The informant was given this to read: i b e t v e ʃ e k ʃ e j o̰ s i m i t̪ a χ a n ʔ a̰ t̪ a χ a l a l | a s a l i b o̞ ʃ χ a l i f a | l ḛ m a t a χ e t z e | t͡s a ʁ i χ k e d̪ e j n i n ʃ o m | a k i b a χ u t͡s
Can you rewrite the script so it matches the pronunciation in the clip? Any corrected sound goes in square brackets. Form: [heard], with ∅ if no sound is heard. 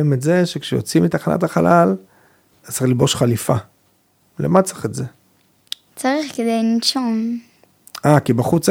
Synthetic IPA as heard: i [m] e t [z] e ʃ e k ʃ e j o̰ [t͡s] i m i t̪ a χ a n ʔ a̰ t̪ a χ a l a l | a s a l i b o̞ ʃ χ a l i f a | l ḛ m a [t͡s] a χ e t z e | t͡s a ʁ i χ k e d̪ e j n i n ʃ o m | a k i b a χ u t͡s